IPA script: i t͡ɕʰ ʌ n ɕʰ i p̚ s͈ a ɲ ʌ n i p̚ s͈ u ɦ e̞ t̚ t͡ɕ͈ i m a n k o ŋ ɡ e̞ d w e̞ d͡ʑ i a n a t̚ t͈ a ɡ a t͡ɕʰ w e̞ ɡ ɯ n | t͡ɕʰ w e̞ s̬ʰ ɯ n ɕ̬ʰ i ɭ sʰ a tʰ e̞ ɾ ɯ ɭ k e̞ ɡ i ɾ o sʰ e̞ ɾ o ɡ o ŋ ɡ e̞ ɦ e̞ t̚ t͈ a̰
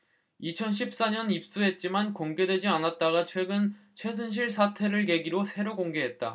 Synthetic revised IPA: i t͡ɕʰ ʌ n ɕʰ i p̚ s͈ a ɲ ʌ n i p̚ s͈ u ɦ e̞ t̚ t͡ɕ͈ i m a n k o ŋ ɡ e̞ d w e̞ d͡ʑ i a n a t̚ t͈ a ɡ a t͡ɕʰ w e̞ ɡ ɯ n | t͡ɕʰ w e̞ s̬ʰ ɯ n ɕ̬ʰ i ɭ sʰ a tʰ e̞ ɾ ɯ ɭ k e̞ ɡ i ɾ o sʰ e̞ ɾ o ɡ o ŋ ɡ e̞ ɦ e̞ t̚ t͈ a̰